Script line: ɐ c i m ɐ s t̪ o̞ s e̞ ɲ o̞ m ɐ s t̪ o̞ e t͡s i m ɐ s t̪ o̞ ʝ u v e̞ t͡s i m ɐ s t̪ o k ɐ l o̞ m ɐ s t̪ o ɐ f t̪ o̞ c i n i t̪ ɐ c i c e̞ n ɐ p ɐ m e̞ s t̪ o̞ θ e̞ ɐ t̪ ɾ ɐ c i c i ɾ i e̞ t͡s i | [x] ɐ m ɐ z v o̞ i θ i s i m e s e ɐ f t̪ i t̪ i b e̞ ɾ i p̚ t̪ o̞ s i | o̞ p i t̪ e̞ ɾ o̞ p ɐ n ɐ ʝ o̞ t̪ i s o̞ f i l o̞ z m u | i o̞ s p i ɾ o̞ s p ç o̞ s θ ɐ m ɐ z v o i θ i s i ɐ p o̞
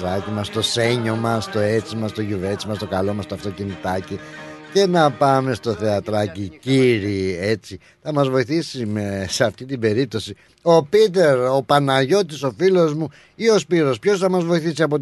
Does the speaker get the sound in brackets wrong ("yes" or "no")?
yes